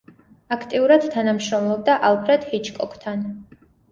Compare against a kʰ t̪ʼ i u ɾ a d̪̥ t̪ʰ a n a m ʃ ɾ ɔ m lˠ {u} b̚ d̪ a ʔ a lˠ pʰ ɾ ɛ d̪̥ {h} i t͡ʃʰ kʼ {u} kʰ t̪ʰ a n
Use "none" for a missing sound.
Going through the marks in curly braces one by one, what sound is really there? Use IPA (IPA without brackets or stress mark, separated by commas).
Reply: ɔ, h, ɔ